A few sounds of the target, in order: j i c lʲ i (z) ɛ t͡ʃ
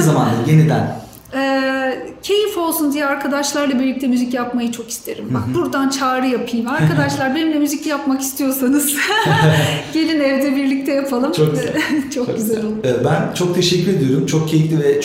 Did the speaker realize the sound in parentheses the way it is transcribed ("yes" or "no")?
no